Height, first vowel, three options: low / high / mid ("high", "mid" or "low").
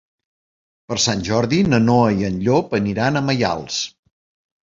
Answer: mid